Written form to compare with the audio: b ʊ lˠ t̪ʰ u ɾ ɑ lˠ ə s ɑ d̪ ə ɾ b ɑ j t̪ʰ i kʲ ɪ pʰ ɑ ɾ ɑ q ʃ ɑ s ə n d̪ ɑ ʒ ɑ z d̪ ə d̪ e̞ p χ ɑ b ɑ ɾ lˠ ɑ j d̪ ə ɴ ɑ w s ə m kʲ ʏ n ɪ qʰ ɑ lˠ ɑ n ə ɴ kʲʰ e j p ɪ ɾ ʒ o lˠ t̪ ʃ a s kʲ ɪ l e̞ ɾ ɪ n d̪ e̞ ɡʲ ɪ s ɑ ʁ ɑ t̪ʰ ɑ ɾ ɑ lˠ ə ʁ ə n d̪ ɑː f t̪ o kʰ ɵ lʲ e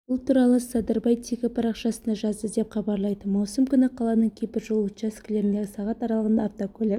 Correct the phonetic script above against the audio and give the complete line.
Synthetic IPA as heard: b ʊ lˠ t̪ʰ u ɾ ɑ lˠ ə s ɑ d̪ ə ɾ b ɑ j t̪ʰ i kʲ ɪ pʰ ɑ ɾ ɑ q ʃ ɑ s ə n d̪ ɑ ʒ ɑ z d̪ ə d̪ e̞ p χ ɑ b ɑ ɾ lˠ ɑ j d̪ ə m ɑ w s ə m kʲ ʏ n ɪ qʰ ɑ lˠ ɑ n ə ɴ kʲʰ e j p ɪ ɾ ʒ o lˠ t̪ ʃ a s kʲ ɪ l e̞ ɾ ɪ n d̪ e̞ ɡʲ ɪ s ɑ ʁ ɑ t̪ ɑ ɾ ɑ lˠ ə ʁ ə n d̪ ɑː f t̪ o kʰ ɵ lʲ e

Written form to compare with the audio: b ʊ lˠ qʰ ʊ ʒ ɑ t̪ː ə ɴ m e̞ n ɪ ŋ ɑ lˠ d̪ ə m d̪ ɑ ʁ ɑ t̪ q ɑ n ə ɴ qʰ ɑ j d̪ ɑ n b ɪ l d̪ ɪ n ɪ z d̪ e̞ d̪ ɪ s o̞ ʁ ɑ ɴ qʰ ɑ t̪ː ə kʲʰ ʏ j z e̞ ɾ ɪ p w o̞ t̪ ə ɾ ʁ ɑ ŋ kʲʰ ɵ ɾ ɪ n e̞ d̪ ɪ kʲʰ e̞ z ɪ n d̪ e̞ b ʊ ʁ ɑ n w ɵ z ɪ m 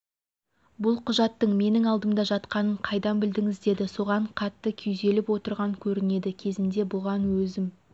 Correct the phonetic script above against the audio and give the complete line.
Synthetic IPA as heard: b ʊ lˠ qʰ ʊ ʒ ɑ t̪ː ə ɴ m e̞ n ɪ ŋ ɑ lˠ d̪ ə m d̪ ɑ ʒ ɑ t̪ q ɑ n ə ɴ qʰ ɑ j d̪ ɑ n b ɪ l d̪ ɪ ŋ ɪ z d̪ e̞ d̪ ɪ s o̞ ʁ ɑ ɴ qʰ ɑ t̪ː ə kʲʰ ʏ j z e̞ l ɪ p w o̞ t̪ ə ɾ ʁ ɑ ŋ kʲʰ ɵ ɾ ɪ n e̞ d̪ ɪ kʲʰ e̞ z ɪ n d̪ e̞ b ʊ ʁ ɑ n w ɵ z ɪ m

